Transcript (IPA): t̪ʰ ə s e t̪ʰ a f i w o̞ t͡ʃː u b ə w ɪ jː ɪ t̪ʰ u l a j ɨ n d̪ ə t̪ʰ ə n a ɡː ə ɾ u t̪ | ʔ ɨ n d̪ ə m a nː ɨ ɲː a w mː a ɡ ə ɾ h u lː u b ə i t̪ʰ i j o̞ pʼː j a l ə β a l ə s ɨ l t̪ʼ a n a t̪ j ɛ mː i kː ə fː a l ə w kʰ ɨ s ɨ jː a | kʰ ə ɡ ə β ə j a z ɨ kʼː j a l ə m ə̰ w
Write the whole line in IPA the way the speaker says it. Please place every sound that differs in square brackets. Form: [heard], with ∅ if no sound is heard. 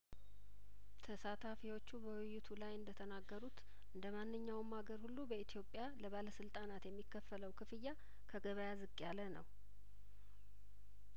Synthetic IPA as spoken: t̪ʰ ə s [a] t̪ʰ a f i w o̞ t͡ʃː u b ə w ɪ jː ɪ t̪ʰ u l a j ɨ n d̪ ə t̪ʰ ə n a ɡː ə ɾ u t̪ | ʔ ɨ n d̪ ə m a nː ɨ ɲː a w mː a ɡ ə ɾ h u lː u b ə i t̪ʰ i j o̞ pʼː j a l ə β a l ə s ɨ l t̪ʼ a n a t̪ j ɛ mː i kː ə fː [ə] l ə w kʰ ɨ [f] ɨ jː a | kʰ ə ɡ ə β ə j a z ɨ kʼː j a l ə [n] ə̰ w